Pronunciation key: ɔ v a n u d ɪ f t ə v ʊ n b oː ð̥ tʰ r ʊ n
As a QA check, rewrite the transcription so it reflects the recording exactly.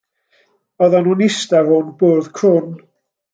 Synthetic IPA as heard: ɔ ð a n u n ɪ s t a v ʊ n b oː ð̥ kʰ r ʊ n